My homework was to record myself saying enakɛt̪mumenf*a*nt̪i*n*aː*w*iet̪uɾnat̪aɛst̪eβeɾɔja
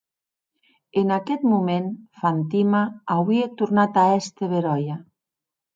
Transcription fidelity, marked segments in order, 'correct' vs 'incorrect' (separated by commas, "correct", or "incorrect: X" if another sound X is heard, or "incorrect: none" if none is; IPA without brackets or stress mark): correct, incorrect: m, correct